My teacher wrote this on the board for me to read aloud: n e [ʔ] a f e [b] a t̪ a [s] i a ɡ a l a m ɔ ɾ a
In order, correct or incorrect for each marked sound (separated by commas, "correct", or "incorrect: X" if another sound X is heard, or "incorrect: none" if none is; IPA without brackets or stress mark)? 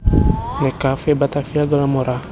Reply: incorrect: k, correct, incorrect: f